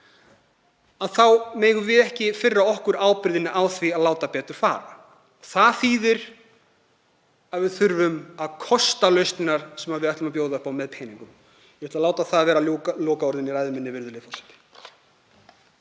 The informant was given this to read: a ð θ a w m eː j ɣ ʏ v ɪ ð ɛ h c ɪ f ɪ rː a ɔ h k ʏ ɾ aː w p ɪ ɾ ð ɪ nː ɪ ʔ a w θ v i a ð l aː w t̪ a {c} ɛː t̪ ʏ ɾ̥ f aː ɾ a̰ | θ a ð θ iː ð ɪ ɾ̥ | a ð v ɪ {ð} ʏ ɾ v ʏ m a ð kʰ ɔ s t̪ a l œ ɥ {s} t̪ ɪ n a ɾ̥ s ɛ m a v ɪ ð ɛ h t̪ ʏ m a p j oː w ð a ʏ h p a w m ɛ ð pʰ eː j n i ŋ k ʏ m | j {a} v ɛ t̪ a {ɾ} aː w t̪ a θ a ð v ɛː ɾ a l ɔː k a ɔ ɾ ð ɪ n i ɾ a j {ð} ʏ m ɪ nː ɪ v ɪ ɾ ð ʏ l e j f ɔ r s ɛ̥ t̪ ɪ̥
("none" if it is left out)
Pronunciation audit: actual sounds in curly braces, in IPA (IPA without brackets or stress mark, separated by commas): p, θ, s, ɛ, l, ð